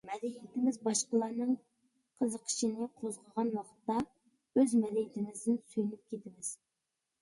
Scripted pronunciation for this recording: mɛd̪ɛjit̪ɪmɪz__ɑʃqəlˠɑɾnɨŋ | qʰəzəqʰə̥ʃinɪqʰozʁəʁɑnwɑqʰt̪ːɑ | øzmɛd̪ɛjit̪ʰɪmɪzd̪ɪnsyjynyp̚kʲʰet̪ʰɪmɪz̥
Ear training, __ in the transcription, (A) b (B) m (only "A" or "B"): A